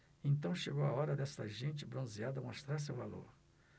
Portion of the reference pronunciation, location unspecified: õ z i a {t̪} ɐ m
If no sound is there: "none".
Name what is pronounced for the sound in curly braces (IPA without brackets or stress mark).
d̪